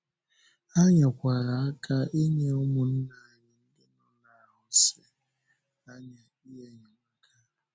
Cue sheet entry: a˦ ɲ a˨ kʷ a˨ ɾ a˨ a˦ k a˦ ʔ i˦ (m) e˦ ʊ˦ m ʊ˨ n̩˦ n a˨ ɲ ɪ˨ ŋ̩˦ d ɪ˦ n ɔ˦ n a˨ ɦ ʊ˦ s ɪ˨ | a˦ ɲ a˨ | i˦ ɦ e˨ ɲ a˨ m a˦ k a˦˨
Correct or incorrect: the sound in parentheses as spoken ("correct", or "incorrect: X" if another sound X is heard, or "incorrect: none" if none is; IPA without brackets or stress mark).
incorrect: ɲ